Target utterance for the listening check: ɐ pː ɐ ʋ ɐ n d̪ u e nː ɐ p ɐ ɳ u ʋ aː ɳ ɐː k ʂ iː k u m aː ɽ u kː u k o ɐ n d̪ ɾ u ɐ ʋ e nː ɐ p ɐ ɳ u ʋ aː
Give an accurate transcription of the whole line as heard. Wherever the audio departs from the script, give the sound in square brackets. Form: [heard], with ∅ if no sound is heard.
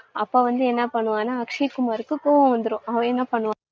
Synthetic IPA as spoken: ɐ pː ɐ ʋ ɐ n d̪ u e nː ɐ p ɐ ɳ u ʋ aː [n] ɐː k ʂ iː k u m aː [ɾ] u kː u k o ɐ n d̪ ɾ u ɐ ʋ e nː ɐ p ɐ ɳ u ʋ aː